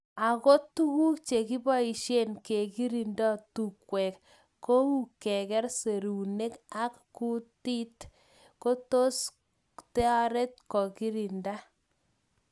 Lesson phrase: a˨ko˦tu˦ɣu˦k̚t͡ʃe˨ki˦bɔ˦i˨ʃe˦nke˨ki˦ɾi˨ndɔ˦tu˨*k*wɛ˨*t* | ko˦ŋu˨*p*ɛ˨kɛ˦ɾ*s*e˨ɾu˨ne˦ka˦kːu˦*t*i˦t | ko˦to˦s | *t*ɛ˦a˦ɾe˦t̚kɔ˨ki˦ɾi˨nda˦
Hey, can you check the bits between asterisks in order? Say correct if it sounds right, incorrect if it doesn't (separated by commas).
correct, incorrect, incorrect, correct, correct, correct